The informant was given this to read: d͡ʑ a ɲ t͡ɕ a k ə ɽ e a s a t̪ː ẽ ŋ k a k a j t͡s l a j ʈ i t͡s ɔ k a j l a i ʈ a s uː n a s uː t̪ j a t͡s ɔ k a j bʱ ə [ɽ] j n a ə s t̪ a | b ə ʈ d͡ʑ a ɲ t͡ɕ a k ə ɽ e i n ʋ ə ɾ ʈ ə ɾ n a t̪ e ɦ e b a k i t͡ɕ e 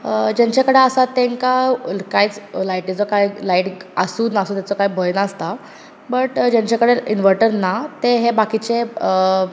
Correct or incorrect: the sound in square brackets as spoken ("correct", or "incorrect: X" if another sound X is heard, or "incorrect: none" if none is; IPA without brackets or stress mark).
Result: incorrect: none